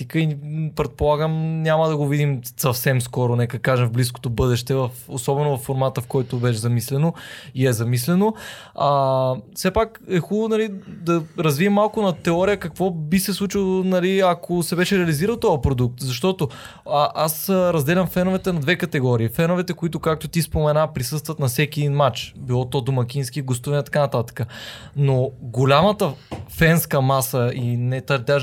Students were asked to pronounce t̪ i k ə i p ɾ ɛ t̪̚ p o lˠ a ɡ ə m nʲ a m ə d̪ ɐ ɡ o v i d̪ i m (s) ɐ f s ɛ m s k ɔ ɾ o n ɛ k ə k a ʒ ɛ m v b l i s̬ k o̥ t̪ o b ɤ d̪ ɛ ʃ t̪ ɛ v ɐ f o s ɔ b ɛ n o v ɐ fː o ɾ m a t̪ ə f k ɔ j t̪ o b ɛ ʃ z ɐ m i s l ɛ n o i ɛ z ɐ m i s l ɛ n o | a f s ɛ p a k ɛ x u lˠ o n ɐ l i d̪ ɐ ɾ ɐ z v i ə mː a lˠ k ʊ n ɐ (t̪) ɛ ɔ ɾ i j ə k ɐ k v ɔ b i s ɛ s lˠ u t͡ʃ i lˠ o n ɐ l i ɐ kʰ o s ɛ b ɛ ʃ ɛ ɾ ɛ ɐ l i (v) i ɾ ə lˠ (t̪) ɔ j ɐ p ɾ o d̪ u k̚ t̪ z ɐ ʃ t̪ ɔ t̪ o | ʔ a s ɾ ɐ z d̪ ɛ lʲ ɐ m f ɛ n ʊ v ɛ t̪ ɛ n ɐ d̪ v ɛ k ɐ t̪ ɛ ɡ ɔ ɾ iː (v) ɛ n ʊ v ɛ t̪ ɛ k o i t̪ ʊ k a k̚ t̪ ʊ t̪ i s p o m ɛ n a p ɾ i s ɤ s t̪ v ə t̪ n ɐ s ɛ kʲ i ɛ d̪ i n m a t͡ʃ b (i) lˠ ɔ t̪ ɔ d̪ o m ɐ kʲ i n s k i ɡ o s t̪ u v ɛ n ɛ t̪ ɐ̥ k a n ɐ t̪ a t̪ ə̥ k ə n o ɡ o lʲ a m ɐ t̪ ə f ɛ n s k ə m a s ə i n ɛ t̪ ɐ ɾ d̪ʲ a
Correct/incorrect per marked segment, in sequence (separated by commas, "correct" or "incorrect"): correct, correct, incorrect, correct, incorrect, correct